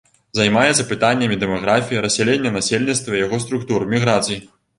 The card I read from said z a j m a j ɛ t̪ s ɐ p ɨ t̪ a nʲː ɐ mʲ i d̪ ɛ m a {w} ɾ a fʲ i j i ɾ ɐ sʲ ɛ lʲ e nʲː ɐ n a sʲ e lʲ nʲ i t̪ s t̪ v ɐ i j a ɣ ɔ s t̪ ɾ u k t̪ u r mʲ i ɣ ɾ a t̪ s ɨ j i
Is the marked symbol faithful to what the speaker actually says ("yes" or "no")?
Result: no